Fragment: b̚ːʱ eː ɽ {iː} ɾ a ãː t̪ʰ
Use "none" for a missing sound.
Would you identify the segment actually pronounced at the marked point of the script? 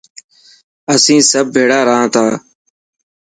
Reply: aː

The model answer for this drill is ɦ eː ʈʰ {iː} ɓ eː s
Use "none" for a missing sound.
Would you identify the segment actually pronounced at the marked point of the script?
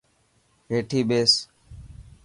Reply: iː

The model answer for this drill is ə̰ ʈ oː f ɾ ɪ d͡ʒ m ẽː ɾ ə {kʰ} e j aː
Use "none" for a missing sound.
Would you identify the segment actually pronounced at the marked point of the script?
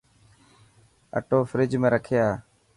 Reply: kʰ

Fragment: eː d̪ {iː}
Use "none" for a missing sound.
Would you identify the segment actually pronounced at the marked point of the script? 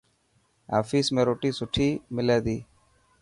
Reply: iː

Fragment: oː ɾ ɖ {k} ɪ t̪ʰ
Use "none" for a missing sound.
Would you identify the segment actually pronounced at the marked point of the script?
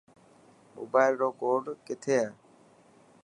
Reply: k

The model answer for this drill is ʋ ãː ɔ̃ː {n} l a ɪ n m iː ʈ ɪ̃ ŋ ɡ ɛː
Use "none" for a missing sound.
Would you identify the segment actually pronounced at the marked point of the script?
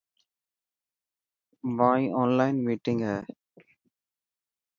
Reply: n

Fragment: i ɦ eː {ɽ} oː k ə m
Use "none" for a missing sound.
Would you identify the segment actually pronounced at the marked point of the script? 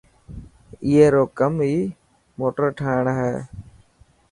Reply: ɾ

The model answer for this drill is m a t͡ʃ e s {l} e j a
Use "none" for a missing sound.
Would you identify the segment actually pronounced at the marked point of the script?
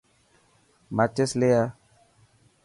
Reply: l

